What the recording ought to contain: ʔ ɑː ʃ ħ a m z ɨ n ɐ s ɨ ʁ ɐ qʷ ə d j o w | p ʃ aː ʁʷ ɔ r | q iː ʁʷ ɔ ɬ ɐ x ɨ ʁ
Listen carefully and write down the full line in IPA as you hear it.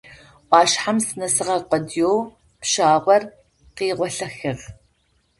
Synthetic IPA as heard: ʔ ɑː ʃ ħ a m s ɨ n ɐ s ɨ ʁ ɐ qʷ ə d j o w | p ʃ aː ʁʷ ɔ r | q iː ʁʷ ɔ ɬ ɐ x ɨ ʁ